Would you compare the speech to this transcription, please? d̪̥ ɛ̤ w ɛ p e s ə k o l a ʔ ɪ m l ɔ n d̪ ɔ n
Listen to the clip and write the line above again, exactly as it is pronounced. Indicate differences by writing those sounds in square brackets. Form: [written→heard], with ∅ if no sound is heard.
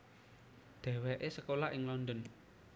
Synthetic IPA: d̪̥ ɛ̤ w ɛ [p→ʔ] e s ə k o l a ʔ ɪ [m→ŋ] l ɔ n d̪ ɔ n